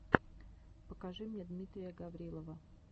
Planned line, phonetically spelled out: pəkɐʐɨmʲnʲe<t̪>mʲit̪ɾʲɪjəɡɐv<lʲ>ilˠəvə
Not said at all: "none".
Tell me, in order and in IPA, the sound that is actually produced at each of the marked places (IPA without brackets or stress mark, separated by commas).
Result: d̪, ɾʲ